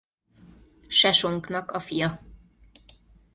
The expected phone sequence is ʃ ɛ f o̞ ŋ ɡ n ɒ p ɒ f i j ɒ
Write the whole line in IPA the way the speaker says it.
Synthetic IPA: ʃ ɛ ʃ o̞ ŋ k n ɒ k ɒ f i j ɒ